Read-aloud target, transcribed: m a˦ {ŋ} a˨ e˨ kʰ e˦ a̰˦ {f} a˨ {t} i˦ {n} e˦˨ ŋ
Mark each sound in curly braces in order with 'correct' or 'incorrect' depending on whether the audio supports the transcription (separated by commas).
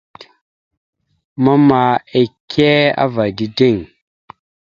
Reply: incorrect, incorrect, incorrect, incorrect